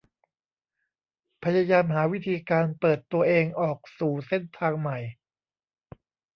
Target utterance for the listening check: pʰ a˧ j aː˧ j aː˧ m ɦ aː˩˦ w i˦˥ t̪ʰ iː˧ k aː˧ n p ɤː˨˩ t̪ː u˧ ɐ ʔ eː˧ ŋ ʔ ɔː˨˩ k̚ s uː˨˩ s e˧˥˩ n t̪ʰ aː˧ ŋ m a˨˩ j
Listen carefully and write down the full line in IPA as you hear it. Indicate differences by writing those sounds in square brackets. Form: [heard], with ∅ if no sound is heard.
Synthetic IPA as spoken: pʰ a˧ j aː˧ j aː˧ m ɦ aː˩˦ w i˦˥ t̪ʰ iː˧ k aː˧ n p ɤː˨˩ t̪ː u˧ ɐ ʔ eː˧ ŋ ʔ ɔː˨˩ k̚ s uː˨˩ s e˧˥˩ n t̪ʰ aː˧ ŋ m a˨˩ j